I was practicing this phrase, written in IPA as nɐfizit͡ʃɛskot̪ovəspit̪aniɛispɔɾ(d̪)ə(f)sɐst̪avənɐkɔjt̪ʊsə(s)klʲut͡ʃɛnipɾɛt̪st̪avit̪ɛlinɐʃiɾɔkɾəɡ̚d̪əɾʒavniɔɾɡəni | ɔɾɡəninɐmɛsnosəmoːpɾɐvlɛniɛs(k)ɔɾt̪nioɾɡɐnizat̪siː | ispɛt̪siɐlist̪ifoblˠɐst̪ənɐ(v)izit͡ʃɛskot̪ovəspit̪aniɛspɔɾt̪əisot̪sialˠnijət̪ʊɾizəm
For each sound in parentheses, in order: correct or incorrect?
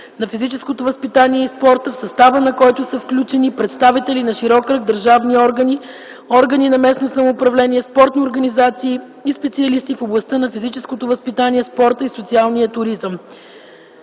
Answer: incorrect, correct, incorrect, incorrect, incorrect

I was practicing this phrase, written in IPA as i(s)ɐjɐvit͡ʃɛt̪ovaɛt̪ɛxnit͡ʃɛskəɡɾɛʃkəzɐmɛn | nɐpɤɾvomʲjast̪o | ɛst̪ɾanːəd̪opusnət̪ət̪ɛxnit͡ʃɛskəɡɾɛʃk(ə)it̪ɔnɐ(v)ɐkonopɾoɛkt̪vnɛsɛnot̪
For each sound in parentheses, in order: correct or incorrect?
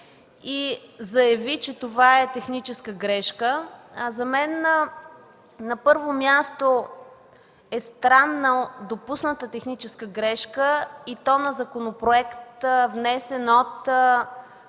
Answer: incorrect, correct, incorrect

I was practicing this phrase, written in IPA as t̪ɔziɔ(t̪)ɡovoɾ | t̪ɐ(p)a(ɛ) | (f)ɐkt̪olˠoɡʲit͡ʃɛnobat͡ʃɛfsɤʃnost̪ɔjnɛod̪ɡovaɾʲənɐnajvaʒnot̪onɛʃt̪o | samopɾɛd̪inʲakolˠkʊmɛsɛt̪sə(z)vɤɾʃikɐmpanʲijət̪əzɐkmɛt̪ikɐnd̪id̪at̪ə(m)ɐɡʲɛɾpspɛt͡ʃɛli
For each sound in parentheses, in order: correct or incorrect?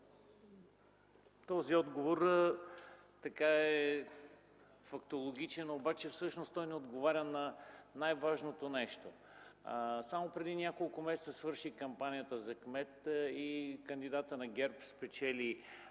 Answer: incorrect, incorrect, correct, correct, incorrect, incorrect

